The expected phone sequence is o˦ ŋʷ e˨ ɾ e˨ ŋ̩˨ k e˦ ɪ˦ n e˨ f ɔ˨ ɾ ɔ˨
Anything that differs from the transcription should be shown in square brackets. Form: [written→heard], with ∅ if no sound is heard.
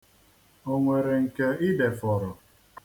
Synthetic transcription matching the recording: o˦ ŋʷ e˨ ɾ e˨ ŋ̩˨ k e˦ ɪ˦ [n→d] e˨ f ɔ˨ ɾ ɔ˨